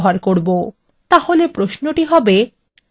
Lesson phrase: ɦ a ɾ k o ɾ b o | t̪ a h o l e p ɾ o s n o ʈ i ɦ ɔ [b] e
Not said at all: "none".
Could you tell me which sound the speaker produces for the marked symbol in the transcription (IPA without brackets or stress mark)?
b